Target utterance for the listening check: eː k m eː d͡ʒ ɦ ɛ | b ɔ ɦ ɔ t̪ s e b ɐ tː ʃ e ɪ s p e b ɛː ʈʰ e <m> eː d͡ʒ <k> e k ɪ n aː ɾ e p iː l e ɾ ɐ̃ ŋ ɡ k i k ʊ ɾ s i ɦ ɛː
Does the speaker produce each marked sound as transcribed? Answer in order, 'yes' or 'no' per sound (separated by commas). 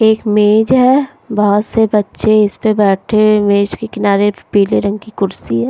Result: yes, yes